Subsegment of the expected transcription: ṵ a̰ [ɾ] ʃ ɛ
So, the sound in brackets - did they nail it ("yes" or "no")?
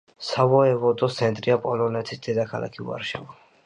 yes